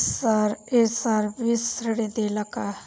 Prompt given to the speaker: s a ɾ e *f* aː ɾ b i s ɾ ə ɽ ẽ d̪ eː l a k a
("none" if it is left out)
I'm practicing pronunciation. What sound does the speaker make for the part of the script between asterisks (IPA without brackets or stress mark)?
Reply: s